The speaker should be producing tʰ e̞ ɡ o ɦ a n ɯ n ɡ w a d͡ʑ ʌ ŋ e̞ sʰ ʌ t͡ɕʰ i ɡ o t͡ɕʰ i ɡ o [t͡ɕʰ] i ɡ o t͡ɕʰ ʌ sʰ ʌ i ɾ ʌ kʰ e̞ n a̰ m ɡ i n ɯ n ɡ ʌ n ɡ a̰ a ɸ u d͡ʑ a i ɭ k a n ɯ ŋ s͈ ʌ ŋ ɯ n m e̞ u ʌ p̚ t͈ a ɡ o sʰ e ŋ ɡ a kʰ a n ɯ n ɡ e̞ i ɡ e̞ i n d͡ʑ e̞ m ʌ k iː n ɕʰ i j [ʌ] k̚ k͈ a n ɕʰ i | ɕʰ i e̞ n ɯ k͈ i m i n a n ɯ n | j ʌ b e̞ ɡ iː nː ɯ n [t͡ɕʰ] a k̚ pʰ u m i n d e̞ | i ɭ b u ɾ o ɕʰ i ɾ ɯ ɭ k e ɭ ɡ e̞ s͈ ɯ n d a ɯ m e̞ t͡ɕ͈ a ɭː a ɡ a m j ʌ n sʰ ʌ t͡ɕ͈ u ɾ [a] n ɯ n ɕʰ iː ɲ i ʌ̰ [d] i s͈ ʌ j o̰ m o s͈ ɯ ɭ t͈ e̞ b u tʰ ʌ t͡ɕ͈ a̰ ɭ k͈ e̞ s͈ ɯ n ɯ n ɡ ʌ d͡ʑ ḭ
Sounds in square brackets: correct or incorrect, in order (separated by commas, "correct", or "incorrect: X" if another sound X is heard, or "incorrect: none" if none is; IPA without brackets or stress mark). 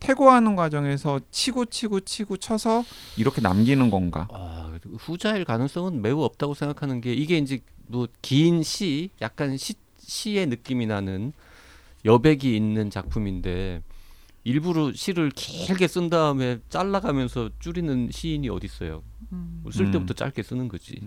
correct, incorrect: a, incorrect: t͡ɕ, incorrect: i, correct